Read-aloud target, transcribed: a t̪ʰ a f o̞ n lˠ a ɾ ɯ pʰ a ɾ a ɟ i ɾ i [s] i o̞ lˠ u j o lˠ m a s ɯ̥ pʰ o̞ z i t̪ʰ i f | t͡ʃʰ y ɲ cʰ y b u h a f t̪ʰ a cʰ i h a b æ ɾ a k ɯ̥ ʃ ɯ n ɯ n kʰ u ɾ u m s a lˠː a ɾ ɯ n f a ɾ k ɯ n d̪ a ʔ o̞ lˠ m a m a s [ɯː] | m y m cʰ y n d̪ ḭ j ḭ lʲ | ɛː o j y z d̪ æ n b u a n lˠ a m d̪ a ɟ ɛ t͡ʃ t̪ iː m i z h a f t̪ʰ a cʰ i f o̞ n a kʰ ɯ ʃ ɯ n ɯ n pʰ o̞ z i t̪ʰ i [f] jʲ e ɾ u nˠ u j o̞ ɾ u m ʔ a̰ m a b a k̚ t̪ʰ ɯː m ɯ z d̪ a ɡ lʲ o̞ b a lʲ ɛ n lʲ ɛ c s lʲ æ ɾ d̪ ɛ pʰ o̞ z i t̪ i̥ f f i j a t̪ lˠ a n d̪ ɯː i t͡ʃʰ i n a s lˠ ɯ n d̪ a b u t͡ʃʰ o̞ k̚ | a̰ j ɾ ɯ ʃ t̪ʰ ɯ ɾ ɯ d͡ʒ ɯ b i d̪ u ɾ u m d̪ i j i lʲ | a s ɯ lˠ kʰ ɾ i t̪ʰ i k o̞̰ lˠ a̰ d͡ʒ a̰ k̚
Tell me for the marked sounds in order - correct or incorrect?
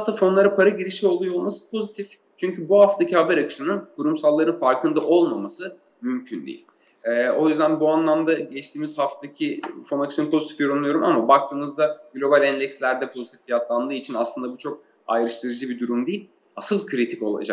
incorrect, incorrect, correct

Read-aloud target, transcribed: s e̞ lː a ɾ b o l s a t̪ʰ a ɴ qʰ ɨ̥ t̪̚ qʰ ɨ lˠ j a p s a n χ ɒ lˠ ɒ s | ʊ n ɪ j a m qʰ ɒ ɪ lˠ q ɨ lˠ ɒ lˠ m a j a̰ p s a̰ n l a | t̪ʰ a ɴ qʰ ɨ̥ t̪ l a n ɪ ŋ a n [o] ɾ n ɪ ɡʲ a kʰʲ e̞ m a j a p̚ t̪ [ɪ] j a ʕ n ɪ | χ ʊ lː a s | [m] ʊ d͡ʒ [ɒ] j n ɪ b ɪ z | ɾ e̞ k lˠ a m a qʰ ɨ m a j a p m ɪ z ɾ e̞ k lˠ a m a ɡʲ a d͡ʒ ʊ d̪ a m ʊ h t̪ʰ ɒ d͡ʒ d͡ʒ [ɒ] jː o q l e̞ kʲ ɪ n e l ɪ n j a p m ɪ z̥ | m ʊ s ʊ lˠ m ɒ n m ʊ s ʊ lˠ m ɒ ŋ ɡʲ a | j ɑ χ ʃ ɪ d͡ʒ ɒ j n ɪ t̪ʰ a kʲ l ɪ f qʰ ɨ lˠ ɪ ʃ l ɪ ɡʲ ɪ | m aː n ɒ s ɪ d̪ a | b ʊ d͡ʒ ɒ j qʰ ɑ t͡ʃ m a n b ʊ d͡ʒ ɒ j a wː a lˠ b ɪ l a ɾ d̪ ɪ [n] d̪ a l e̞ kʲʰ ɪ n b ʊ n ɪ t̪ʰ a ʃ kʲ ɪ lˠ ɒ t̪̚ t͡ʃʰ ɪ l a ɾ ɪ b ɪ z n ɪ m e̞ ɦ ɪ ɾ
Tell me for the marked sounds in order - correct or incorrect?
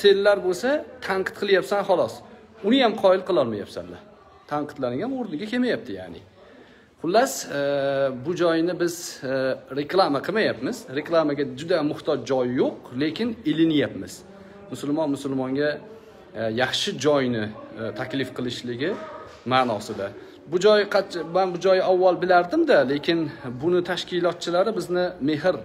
correct, correct, incorrect, correct, correct, incorrect

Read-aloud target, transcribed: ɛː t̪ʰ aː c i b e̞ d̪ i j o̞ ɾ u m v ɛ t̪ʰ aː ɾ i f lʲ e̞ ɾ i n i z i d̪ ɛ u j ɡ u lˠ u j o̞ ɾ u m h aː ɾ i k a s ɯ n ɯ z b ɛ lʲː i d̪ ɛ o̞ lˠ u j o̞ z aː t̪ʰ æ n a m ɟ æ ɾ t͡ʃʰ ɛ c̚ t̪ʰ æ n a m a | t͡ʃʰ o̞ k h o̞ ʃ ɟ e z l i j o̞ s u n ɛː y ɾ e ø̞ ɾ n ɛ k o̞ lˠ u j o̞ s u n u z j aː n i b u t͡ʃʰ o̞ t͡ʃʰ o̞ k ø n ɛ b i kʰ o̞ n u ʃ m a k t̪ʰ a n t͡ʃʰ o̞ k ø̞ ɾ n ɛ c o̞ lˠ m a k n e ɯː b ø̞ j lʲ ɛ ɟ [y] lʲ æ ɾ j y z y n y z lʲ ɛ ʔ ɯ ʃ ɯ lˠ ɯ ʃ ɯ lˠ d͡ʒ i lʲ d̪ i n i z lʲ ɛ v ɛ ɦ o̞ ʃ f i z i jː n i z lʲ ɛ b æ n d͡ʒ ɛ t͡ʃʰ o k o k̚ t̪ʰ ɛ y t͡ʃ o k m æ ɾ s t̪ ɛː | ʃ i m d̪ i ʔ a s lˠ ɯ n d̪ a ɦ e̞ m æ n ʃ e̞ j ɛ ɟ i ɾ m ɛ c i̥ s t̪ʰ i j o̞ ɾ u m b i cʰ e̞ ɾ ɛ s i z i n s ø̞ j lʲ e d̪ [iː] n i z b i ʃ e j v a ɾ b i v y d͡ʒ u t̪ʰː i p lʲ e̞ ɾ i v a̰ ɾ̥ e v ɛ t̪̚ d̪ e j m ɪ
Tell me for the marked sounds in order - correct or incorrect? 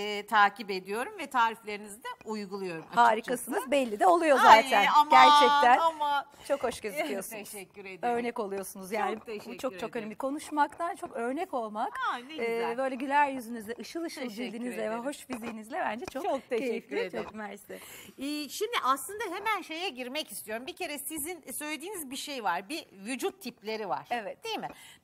correct, correct

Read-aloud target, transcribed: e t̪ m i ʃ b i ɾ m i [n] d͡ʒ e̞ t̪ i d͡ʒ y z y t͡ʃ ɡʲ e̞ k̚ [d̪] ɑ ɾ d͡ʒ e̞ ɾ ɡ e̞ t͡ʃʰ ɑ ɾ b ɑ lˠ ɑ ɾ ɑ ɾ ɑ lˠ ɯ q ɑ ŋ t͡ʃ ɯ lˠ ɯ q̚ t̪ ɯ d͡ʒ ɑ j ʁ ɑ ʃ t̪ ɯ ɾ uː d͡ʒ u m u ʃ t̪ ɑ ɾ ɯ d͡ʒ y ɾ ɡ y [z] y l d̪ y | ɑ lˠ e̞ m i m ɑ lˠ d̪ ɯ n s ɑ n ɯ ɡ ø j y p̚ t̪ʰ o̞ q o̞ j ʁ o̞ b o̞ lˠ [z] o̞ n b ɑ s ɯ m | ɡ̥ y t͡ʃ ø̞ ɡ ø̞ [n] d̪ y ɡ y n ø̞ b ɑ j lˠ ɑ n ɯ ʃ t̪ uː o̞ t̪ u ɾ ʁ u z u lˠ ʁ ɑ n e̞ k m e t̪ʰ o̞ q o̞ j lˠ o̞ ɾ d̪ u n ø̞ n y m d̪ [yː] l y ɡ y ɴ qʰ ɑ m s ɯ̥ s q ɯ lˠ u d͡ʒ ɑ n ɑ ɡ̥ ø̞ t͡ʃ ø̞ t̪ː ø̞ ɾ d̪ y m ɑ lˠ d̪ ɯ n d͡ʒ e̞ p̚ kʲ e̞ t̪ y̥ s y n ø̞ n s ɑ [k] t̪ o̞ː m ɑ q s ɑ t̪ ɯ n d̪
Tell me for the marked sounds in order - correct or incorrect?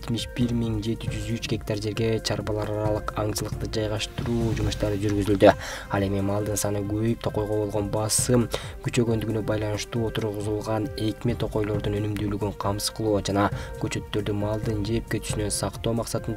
incorrect, incorrect, correct, incorrect, correct, correct, incorrect

